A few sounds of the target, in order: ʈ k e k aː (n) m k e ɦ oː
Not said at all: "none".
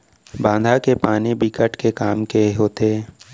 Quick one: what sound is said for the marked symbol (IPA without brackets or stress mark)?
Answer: none